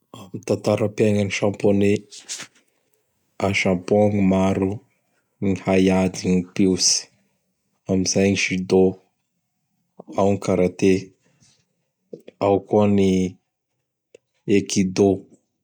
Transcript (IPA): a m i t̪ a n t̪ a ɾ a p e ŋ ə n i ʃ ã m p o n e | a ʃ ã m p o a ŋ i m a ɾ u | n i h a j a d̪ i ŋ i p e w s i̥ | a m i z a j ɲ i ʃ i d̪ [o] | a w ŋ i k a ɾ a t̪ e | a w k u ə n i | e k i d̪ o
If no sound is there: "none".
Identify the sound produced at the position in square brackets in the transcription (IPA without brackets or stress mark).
o